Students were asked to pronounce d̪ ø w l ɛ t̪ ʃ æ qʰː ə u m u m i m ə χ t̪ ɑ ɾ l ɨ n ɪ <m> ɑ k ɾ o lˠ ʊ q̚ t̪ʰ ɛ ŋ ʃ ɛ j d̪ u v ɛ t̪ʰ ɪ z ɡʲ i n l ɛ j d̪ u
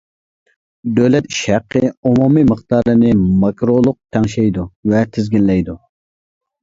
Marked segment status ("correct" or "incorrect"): correct